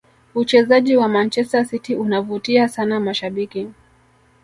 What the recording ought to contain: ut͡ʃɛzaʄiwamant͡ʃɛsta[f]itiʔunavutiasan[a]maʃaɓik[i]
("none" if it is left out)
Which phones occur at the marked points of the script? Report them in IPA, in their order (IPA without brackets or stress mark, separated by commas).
s, a, i